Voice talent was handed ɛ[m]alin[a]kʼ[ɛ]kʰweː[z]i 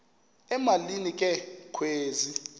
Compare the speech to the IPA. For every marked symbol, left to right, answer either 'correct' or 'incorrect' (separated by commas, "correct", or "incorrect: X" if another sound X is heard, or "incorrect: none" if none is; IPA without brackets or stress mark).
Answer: correct, incorrect: i, correct, correct